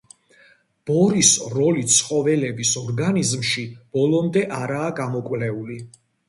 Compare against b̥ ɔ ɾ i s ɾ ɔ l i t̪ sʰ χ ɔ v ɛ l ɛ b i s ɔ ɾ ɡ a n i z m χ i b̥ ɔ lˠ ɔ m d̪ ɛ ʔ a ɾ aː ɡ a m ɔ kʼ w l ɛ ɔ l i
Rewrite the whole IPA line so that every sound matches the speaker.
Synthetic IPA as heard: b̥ ɔ ɾ i s ɾ ɔ l i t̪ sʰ χ ɔ v ɛ l ɛ b i s ɔ ɾ ɡ a n i z m ʃ i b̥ ɔ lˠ ɔ m d̪ ɛ ʔ a ɾ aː ɡ a m ɔ kʼ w l ɛ u l i